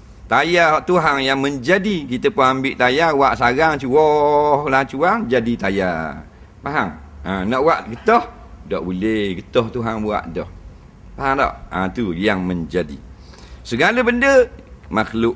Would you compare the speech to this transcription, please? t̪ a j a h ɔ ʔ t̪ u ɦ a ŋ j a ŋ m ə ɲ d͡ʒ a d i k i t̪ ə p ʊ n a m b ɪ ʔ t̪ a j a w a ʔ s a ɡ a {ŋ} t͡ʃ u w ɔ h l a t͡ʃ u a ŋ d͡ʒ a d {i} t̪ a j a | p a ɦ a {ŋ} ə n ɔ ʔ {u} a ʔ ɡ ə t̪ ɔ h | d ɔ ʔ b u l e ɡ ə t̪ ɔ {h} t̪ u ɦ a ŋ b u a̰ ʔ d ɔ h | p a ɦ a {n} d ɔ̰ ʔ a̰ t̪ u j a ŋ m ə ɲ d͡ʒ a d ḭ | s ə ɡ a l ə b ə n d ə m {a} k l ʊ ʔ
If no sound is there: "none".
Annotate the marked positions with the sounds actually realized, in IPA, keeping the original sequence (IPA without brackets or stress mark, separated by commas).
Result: ŋ, i, ŋ, w, h, ŋ, a